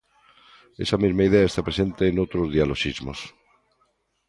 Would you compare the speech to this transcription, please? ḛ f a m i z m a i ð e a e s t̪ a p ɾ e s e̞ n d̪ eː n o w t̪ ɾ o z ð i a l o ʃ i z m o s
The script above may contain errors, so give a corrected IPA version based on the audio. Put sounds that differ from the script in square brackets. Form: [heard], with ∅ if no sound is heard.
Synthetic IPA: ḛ [s] a m i z m a i ð e a e s t̪ a p ɾ e s e̞ n [t̪] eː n o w t̪ ɾ o z ð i a l o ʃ i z m o s